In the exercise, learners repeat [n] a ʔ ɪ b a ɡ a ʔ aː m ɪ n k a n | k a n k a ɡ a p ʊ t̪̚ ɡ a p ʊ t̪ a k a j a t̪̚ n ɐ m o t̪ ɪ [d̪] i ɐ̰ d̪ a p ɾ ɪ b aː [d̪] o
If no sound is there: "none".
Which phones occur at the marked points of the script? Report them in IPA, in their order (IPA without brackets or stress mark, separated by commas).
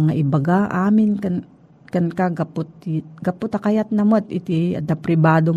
ŋ, t̪, d̪